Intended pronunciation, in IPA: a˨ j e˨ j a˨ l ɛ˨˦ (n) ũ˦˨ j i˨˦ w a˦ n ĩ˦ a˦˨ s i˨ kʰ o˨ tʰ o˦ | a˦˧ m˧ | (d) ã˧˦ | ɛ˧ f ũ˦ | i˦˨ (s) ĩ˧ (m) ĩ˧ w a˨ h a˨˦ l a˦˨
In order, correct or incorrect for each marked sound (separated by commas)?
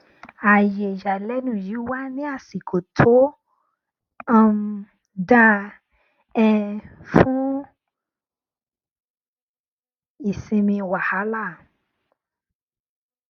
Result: correct, correct, correct, correct